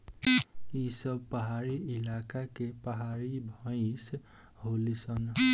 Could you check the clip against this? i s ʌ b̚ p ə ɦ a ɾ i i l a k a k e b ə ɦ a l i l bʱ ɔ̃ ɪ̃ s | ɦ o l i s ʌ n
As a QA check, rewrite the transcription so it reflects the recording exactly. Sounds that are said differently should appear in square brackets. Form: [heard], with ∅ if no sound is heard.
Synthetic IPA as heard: i s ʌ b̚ p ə ɦ a ɾ i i l a k a k e [p] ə ɦ a [ɾ] i [∅] bʱ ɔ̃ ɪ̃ s | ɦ o l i s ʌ n